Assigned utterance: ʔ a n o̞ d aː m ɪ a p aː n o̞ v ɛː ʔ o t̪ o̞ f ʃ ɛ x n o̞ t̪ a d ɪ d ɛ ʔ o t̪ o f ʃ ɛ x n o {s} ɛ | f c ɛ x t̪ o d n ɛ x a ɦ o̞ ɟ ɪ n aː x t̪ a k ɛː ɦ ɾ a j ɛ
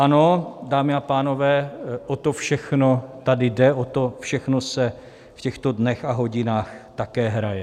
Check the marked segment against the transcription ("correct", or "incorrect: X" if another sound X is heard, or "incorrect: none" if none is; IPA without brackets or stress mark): correct